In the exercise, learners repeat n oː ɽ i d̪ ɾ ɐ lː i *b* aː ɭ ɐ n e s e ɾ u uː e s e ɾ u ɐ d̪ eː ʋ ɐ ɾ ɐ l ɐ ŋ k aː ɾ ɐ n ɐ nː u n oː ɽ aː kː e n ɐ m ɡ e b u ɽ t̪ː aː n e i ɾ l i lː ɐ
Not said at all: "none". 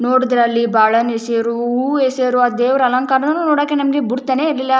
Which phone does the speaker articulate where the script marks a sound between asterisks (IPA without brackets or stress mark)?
b